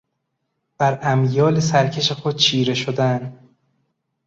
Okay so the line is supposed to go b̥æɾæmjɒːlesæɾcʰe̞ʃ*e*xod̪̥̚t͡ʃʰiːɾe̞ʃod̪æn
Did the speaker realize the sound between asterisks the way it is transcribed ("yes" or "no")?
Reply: yes